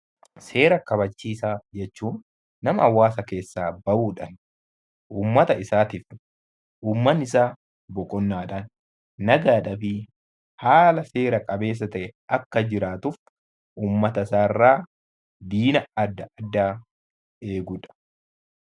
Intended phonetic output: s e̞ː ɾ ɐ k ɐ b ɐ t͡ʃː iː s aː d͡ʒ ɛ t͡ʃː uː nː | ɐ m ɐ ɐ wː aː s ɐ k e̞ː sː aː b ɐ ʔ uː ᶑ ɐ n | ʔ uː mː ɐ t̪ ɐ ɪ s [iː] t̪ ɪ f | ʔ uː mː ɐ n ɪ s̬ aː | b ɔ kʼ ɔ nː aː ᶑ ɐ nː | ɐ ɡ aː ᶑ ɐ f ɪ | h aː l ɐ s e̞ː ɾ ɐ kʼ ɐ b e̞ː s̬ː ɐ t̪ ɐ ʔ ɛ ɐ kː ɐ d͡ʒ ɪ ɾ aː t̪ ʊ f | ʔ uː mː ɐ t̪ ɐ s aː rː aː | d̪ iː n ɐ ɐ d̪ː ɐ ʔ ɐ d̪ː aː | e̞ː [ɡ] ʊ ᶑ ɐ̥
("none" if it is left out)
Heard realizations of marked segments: aː, ɡ

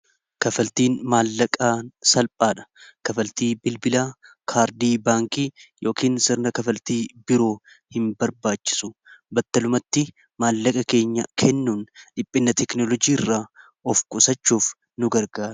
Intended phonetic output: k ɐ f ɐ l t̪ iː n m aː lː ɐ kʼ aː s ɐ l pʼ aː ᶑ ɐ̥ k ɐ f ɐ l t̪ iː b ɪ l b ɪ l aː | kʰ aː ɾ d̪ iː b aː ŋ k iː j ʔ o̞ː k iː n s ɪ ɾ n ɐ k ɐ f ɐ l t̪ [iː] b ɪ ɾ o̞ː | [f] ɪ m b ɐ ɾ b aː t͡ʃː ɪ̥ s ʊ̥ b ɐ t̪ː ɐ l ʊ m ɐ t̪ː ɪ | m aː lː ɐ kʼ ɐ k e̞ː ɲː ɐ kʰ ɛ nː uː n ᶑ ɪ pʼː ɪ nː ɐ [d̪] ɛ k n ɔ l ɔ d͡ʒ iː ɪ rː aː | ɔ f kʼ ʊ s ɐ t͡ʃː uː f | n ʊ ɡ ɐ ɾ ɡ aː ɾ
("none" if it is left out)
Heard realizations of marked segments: iː, h, t̪

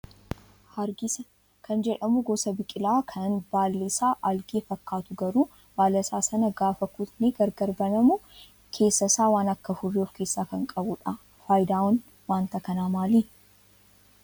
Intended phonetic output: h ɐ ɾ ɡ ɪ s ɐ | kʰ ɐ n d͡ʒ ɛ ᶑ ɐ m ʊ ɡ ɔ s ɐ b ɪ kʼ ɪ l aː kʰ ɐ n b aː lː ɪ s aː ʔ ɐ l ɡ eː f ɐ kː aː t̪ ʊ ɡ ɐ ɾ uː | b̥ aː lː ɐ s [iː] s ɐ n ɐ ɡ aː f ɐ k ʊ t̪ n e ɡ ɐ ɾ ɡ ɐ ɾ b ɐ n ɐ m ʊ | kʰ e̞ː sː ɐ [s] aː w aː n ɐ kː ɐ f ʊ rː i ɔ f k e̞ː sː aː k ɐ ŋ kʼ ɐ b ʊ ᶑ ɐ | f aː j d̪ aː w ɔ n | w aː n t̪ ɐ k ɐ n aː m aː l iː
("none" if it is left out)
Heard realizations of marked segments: aː, s

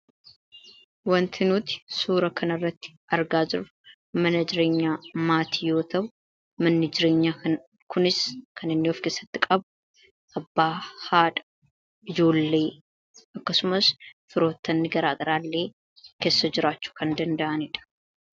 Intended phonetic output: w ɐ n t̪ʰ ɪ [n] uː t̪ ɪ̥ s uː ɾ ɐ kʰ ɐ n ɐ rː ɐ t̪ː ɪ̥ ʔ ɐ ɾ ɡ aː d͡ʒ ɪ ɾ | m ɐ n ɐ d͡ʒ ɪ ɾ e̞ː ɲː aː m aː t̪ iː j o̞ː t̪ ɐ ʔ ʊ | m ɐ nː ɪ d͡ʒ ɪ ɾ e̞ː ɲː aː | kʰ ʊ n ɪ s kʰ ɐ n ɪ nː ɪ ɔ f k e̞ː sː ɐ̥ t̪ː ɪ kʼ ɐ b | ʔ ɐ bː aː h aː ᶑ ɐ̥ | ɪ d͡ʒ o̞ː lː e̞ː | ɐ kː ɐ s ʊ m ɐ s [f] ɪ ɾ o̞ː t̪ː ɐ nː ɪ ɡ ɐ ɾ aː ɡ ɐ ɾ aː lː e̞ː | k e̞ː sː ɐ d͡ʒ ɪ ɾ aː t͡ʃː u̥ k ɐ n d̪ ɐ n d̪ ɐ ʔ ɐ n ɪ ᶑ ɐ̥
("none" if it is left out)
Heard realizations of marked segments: n, f

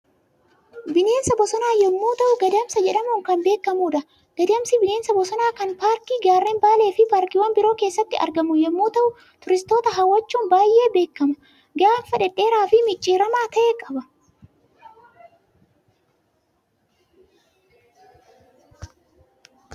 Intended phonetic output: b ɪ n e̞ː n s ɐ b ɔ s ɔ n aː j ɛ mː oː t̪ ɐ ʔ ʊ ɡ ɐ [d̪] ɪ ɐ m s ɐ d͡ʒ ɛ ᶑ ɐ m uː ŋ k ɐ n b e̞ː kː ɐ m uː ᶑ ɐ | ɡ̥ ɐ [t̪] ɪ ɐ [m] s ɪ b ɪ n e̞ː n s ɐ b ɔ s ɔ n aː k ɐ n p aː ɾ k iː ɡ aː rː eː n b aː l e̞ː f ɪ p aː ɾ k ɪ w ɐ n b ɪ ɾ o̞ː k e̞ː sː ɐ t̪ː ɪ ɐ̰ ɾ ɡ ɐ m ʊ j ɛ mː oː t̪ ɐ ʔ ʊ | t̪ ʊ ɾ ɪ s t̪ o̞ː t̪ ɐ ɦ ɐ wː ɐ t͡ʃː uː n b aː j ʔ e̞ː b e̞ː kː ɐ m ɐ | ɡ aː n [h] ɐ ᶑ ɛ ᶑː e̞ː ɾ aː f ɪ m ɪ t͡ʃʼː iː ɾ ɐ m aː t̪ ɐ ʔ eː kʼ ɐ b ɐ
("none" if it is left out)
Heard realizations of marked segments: d̪, d̪, m, f

